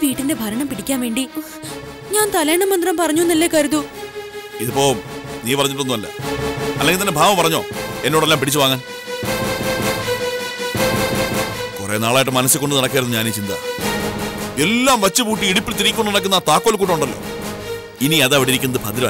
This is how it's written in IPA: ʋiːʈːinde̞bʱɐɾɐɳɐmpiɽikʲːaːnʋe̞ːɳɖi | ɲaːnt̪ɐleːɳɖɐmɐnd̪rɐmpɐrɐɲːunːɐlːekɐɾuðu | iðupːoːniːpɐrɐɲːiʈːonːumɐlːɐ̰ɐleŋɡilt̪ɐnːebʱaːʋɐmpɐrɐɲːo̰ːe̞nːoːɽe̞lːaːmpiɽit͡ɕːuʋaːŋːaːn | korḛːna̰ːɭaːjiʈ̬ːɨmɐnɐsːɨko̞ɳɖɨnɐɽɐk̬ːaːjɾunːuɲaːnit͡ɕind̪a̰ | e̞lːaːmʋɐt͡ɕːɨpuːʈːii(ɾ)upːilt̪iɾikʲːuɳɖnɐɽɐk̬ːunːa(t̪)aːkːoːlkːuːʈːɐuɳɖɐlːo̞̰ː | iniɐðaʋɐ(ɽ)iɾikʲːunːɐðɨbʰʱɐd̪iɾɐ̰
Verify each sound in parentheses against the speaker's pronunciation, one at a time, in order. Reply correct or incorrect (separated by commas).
incorrect, correct, correct